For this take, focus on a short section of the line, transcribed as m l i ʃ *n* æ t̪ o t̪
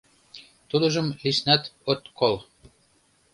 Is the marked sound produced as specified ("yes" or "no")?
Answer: yes